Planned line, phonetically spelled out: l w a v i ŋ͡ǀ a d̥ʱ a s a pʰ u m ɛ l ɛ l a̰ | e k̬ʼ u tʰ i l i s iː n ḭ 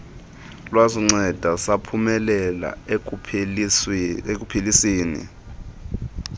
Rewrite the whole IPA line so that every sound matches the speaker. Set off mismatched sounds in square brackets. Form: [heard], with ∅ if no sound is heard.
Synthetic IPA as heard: l w a [z] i ŋ͡ǀ [ɛ] d̥ʱ a s a pʰ u m ɛ l ɛ l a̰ | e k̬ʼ u [pʰ] i l i s iː n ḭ

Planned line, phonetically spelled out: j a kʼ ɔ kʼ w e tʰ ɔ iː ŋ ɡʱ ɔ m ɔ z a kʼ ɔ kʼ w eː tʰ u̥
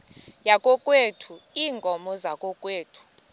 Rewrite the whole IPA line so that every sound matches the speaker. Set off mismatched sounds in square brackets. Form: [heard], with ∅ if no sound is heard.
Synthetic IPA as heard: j a kʼ ɔ kʼ w e tʰ [u] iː ŋ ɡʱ ɔ m ɔ z a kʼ ɔ kʼ w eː tʰ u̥

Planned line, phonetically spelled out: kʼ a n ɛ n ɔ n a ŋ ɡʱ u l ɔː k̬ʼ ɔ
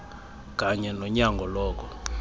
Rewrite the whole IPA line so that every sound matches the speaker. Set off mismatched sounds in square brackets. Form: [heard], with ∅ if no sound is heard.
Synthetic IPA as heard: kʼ a [ɲ] ɛ n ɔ [ɲ] a ŋ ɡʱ [ɔ] l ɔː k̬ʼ ɔ

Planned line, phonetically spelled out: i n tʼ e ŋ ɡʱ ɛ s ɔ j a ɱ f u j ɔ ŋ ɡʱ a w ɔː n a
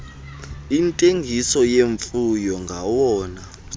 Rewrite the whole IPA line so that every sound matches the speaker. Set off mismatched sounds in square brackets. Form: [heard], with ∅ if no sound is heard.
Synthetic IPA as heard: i n tʼ e ŋ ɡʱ [i] s ɔ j [e] ɱ f u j ɔ ŋ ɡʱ a w ɔː n a

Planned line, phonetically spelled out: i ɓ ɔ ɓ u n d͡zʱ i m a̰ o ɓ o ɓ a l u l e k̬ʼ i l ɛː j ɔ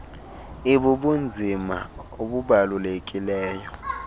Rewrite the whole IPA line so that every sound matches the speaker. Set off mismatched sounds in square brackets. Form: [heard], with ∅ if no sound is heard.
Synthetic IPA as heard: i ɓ [u] ɓ u n d͡zʱ i m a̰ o ɓ [u] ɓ a l u l e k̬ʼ i l ɛː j ɔ

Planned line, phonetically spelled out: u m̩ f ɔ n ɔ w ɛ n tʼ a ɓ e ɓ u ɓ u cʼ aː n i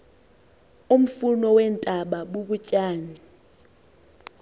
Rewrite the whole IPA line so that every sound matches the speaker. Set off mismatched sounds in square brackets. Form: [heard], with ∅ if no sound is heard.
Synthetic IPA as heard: u m̩ f [u] n ɔ w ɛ n tʼ a ɓ [a] ɓ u ɓ u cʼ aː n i

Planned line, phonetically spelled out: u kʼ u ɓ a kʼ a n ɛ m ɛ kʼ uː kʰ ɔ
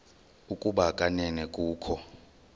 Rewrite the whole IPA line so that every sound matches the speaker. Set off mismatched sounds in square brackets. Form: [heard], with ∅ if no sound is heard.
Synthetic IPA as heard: u kʼ u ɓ a kʼ a n ɛ [n] ɛ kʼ uː kʰ ɔ

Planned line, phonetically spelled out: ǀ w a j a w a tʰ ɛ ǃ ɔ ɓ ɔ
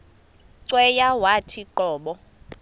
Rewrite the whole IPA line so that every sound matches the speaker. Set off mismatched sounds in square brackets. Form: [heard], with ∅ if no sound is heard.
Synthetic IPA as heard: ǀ w [ɛ] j a w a tʰ [i] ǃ [ɔː] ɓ ɔ

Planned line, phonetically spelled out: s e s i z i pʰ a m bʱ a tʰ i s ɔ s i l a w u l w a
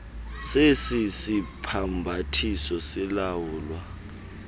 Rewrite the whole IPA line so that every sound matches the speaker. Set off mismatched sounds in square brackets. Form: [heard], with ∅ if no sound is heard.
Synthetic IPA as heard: s e s i [s] i pʰ a m bʱ a tʰ i s ɔ s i l a w [uː] l w a

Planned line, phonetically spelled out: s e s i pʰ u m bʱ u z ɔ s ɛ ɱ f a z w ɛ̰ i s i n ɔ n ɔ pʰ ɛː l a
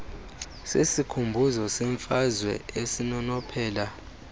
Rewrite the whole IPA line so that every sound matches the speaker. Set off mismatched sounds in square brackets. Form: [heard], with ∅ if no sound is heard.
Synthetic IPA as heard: s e s i [kʰ] u m bʱ u z ɔ s ɛ ɱ f a z w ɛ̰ [e] s i n ɔ n ɔ pʰ ɛː l a

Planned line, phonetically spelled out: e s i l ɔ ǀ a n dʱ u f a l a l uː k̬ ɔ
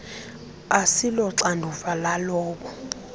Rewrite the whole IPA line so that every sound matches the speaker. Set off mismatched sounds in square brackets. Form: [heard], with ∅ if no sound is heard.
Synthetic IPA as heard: [a] s i l ɔ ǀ a n dʱ u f a l a l [ɔː] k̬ ɔ

